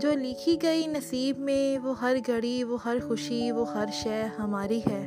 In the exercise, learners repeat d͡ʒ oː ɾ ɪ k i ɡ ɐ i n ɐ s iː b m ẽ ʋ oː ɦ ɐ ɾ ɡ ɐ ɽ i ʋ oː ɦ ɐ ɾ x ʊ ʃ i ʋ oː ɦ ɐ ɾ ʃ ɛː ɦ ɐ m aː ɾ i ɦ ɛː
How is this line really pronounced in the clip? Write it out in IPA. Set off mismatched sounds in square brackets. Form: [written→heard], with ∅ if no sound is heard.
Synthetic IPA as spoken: d͡ʒ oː [ɾ→l] ɪ [k→kʰ] i ɡ ɐ i n ɐ s iː b m ẽ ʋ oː ɦ ɐ ɾ ɡ ɐ ɽ i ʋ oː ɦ ɐ ɾ x ʊ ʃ i ʋ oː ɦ ɐ ɾ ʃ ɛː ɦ ɐ m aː ɾ i ɦ ɛː